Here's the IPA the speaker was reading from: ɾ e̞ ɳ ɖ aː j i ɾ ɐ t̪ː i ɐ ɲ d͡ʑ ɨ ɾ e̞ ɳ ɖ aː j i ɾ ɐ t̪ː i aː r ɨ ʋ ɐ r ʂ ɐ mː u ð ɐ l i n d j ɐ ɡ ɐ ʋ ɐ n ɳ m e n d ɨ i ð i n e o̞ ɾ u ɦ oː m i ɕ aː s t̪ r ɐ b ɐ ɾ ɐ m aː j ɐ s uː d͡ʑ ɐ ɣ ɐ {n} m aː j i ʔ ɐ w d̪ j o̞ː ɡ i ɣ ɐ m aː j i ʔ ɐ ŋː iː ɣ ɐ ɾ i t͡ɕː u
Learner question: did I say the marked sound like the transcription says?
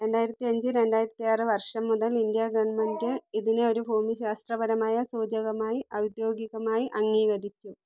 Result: no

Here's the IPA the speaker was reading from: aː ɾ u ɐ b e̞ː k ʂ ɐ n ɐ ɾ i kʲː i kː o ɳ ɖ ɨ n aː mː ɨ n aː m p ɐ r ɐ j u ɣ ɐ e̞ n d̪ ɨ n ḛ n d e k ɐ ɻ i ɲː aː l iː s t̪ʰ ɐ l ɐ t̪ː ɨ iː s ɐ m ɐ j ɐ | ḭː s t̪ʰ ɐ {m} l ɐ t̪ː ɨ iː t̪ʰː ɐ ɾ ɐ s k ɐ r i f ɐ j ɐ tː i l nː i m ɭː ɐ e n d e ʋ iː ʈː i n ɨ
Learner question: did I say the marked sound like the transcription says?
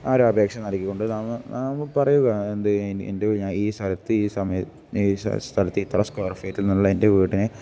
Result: no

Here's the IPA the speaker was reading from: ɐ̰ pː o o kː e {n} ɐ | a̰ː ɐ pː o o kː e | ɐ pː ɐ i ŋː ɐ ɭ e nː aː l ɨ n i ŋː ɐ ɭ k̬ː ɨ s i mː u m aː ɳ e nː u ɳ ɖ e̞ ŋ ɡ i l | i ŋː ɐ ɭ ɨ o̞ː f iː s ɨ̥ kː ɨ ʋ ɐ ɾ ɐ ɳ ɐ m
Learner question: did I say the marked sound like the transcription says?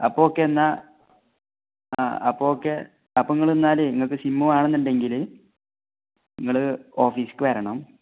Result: no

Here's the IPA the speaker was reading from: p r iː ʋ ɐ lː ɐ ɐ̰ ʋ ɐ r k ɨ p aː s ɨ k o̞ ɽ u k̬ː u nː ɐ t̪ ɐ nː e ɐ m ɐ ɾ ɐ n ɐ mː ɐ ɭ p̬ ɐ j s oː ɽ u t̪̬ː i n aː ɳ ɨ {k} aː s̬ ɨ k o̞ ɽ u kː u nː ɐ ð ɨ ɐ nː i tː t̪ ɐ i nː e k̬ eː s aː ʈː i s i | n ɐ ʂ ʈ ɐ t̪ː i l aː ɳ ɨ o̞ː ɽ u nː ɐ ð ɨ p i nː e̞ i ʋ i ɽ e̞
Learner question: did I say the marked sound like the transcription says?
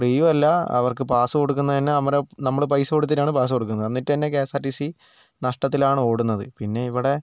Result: no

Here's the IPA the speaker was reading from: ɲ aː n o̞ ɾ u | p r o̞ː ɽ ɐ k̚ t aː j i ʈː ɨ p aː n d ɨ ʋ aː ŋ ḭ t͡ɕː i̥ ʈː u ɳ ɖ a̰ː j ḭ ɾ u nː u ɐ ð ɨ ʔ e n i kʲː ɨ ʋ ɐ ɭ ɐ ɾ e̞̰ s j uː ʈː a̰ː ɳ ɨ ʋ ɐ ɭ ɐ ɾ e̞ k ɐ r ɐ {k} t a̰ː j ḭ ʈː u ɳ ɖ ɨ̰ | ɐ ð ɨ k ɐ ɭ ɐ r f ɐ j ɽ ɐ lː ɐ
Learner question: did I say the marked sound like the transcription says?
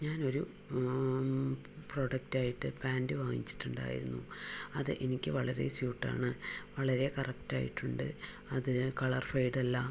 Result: yes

